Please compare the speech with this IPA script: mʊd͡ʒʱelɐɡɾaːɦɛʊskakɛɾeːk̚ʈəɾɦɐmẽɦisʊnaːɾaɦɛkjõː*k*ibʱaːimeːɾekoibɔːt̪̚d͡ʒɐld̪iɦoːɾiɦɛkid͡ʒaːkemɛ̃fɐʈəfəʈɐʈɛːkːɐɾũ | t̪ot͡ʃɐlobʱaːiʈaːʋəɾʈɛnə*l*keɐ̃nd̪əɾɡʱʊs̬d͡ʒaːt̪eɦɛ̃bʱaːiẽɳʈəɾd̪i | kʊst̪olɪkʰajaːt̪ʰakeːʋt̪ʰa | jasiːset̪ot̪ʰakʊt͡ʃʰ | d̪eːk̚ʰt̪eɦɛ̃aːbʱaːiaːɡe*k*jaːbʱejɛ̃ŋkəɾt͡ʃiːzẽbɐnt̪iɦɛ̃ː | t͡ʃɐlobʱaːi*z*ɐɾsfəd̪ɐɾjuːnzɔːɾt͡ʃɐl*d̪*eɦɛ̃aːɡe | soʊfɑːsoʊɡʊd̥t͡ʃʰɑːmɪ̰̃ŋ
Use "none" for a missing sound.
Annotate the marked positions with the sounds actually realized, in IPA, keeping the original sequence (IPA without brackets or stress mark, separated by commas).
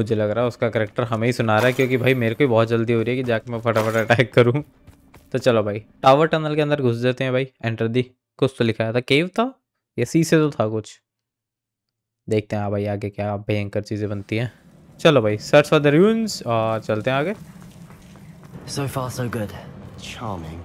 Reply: k, l, k, s, t̪